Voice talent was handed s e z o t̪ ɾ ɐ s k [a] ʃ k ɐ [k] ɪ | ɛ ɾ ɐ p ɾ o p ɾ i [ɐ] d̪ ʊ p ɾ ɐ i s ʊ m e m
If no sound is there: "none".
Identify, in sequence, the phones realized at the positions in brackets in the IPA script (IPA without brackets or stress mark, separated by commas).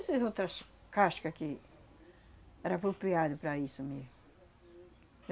a, k, a